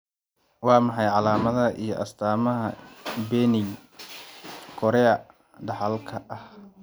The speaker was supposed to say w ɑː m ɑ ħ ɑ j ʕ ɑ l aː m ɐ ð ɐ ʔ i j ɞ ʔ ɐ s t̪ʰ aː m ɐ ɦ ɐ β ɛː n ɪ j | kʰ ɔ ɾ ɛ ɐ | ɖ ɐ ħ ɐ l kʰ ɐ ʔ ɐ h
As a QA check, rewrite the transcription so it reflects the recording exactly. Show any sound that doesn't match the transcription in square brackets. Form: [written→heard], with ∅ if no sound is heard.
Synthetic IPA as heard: w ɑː m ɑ ħ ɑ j ʕ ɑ l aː m ɐ ð ɐ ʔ i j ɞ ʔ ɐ s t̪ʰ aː m ɐ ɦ ɐ [β→b] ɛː n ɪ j | kʰ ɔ ɾ ɛ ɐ | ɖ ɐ ħ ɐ l kʰ ɐ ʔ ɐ h